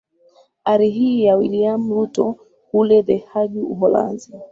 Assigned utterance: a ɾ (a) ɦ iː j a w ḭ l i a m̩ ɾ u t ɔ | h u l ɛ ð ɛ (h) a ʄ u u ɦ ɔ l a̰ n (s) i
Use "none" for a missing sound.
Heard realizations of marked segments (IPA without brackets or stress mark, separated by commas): i, h, z